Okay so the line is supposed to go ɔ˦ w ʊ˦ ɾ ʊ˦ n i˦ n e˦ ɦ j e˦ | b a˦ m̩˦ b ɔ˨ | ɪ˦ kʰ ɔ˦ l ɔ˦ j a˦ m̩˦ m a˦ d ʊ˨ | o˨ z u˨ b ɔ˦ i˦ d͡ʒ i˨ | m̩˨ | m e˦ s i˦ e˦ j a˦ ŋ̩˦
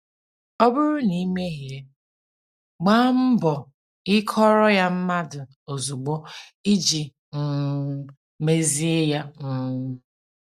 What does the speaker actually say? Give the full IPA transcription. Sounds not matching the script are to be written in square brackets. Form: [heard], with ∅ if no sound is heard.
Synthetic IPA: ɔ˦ [b] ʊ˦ ɾ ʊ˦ n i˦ [m] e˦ ɦ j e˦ | [ɡ͡b] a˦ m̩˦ b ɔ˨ | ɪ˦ kʰ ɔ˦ [ɾ] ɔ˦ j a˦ m̩˦ m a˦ d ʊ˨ | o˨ z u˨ [ɡ͡b] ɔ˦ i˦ d͡ʒ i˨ | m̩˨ | m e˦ [z] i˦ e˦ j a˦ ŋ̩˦

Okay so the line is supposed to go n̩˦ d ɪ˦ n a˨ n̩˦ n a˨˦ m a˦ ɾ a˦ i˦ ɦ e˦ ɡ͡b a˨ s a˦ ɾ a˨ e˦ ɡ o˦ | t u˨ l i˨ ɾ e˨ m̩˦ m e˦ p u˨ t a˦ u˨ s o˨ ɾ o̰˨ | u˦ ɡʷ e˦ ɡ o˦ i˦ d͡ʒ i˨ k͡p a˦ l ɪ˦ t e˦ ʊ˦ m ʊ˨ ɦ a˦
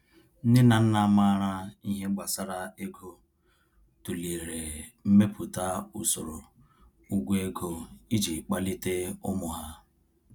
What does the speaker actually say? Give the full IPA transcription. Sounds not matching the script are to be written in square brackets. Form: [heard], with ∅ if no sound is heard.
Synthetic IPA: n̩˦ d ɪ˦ n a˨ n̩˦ n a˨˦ m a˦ ɾ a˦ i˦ ɦ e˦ ɡ͡b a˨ s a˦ ɾ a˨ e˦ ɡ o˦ | t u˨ l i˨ ɾ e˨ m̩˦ m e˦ p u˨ t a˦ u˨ s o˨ ɾ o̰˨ | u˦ ɡʷ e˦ ɡ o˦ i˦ d͡ʒ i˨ k͡p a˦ l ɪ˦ t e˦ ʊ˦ m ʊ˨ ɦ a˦

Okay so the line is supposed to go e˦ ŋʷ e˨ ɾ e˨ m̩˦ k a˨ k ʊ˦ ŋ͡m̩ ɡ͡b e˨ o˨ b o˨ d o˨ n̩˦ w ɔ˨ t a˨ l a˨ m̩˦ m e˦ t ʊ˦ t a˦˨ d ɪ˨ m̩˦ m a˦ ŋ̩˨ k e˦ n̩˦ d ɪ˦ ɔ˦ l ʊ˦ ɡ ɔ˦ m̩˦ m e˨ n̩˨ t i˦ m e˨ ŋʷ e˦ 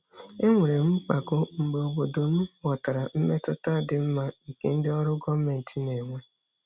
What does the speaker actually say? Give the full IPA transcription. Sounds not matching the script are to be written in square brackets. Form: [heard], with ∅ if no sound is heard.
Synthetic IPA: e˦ ŋʷ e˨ ɾ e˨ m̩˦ [k͡p] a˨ k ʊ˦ ŋ͡m̩ ɡ͡b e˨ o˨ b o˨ d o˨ [m̩˦] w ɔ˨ t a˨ [ɾ] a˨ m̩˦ m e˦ t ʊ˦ t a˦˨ d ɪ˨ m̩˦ m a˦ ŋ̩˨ k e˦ n̩˦ d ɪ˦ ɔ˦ [ɾ] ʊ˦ ɡ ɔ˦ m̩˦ m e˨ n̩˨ t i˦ [n] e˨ ŋʷ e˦

